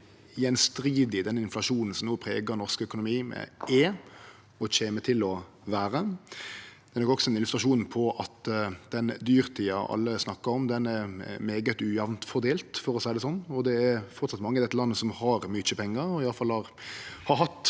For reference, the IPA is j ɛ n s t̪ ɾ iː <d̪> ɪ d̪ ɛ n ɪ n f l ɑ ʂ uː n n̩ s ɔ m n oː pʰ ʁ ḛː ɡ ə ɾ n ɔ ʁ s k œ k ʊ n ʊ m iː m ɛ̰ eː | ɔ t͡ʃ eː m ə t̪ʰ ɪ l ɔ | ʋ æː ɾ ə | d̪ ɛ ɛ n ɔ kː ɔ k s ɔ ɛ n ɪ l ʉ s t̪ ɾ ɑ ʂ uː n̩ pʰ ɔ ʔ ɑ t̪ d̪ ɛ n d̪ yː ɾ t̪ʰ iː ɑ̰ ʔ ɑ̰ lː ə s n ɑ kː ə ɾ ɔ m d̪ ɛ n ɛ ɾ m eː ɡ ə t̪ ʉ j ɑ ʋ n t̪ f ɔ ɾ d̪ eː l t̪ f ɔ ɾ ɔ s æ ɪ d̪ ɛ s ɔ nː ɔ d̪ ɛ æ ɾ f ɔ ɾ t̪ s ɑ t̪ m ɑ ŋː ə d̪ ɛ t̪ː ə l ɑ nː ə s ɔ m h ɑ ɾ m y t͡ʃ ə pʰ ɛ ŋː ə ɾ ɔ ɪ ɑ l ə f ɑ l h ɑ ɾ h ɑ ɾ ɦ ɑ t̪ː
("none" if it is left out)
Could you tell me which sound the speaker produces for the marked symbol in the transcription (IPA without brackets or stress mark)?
d̪